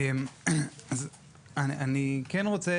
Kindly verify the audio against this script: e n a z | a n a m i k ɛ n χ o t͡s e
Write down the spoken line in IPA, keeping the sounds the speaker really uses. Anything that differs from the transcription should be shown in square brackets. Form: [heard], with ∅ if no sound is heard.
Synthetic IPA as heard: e [m] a z | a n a [n] i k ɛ n [ʁ] o t͡s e